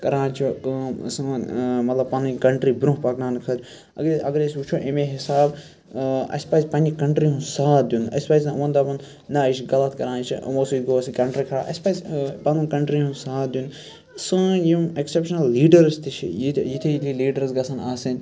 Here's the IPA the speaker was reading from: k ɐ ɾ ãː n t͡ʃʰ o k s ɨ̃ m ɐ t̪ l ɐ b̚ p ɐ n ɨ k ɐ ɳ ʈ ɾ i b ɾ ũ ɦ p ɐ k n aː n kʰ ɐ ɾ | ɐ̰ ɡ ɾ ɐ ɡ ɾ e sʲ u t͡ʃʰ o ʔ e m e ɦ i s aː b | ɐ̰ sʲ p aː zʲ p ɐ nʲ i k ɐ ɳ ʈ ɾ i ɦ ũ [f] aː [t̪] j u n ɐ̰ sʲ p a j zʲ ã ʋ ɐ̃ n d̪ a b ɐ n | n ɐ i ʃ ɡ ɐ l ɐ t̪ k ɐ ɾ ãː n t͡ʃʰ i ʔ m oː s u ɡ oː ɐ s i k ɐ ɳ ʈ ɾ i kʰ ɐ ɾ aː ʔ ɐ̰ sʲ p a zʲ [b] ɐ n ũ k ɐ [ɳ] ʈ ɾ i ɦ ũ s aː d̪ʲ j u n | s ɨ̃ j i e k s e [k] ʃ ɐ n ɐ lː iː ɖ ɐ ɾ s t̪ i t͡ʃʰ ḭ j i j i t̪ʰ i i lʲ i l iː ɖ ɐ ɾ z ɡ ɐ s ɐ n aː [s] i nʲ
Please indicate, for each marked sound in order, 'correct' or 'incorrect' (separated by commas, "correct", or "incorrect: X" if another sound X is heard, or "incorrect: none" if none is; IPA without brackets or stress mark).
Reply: incorrect: s, incorrect: d̪, incorrect: p, correct, incorrect: p, correct